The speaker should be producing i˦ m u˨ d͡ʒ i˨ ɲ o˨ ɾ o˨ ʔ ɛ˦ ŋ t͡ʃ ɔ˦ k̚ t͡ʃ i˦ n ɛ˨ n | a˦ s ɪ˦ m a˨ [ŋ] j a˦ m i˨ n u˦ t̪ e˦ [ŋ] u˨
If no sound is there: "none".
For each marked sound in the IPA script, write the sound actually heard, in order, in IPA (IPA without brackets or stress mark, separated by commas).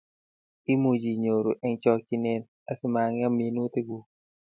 ŋ, ɡ